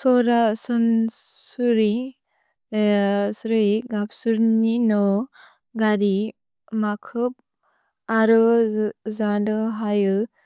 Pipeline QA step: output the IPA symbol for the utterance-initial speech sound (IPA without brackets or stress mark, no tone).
s